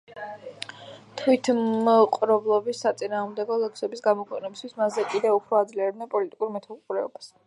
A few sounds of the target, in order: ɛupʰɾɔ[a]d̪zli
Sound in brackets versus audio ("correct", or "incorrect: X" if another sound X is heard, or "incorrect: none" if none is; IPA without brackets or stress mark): correct